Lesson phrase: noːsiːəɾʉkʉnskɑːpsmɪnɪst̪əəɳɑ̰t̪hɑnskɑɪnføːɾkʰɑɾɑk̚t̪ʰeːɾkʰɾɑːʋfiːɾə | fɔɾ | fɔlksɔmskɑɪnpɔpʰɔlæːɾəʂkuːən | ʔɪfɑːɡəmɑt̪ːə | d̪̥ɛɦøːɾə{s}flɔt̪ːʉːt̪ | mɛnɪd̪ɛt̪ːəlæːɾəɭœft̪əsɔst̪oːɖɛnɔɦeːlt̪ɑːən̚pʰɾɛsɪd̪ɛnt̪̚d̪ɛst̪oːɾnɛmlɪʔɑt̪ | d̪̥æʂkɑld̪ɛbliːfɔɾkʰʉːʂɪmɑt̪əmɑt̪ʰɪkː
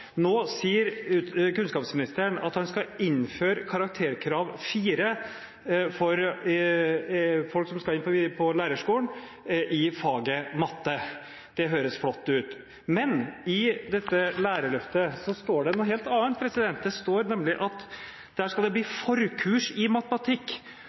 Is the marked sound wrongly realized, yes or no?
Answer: no